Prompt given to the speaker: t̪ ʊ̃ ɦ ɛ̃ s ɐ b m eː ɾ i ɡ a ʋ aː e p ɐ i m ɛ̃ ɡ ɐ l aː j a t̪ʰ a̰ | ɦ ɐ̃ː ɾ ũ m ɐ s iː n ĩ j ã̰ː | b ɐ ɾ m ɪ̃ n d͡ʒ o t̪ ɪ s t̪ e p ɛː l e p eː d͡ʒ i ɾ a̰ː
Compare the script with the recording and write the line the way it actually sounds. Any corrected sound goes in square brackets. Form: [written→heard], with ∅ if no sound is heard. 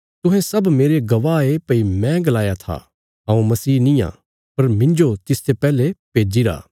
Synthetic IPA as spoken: t̪ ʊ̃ ɦ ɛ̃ s ɐ b m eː ɾ [i→e] ɡ [a→ɐ] ʋ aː e p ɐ i m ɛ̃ ɡ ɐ l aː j a t̪ʰ a̰ | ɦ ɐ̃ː [ɾ→∅] ũ m ɐ s iː n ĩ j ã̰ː | [b→p] ɐ ɾ m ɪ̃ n d͡ʒ o t̪ ɪ s t̪ e p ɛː l e p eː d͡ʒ i ɾ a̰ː